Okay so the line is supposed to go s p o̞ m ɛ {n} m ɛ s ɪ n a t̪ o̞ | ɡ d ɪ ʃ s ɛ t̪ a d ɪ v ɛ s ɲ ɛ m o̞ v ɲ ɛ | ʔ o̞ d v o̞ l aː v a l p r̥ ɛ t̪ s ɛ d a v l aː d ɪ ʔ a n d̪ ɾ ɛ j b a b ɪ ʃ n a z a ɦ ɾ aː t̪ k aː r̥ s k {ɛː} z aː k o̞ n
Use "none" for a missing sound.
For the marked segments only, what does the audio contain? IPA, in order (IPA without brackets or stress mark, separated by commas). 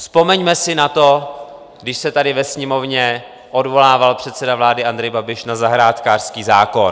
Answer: ɲ, iː